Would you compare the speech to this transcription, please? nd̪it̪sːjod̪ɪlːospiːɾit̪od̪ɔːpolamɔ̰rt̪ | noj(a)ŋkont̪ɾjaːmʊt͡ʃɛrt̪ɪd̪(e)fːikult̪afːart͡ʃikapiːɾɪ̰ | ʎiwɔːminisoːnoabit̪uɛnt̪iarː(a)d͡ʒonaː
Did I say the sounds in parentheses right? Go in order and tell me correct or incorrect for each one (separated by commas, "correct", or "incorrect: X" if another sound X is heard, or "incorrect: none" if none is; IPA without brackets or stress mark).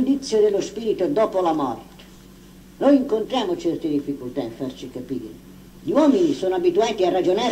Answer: incorrect: i, incorrect: i, correct